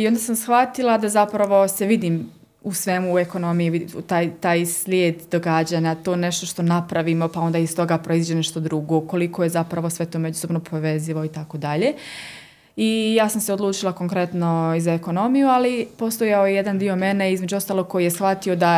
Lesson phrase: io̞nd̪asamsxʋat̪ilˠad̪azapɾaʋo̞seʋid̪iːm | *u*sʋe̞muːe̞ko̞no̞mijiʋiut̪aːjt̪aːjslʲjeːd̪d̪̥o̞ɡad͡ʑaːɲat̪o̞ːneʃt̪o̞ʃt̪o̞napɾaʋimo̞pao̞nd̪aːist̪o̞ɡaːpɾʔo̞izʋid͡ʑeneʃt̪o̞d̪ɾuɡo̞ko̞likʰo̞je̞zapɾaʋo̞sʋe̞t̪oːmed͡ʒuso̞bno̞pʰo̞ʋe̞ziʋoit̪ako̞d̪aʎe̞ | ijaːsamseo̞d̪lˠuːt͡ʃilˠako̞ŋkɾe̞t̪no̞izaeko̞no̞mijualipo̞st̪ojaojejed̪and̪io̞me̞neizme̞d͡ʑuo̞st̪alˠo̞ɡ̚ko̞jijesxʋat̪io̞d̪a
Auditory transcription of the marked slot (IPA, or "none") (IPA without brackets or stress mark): u